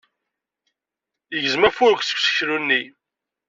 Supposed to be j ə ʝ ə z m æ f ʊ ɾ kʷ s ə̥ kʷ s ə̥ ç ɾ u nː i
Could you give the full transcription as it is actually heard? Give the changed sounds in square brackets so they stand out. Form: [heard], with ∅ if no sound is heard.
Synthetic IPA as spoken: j ə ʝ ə z m æ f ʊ ɾ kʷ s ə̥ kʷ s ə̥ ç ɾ u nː i